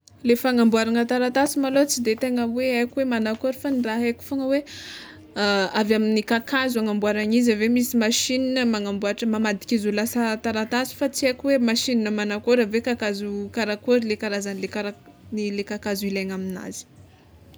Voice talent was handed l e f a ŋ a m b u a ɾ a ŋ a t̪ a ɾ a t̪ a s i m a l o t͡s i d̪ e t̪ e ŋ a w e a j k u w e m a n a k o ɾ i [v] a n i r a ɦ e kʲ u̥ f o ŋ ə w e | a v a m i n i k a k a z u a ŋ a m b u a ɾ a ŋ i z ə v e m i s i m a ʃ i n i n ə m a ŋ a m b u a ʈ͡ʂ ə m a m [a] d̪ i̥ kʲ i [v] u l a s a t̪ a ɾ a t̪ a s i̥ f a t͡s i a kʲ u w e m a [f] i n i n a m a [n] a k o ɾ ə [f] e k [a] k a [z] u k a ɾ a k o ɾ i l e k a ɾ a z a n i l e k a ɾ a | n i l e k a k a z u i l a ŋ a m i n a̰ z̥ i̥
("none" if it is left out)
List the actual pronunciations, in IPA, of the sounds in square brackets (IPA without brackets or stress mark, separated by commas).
f, a, z, ʃ, n, v, a, z